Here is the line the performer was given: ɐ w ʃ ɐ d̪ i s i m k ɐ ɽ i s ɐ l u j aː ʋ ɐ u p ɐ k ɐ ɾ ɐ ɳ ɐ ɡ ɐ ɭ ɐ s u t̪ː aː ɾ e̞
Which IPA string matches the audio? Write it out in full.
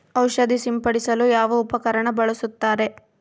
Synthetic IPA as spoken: ɐ w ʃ ɐ d̪ i s i m p ɐ ɽ i s ɐ l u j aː ʋ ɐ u p ɐ k ɐ ɾ ɐ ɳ ɐ b ɐ ɭ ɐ s u t̪ː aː ɾ e̞